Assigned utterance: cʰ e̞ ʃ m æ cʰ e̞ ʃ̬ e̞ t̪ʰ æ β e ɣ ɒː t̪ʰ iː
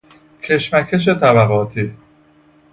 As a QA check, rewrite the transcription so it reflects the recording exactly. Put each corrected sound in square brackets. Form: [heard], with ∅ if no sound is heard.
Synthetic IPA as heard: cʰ e̞ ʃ m æ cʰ e̞ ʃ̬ e̞ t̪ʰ æ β [æ] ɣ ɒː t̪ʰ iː